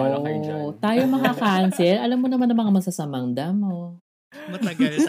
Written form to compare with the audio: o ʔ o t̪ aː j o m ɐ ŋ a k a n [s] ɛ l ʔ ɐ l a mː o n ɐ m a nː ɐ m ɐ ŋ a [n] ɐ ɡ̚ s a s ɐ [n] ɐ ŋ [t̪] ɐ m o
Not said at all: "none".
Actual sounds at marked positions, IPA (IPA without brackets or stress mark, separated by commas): s, m, m, d̪